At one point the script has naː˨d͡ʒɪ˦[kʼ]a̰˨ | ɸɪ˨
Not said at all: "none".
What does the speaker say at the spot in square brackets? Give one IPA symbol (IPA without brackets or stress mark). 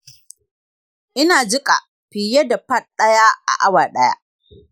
kʼ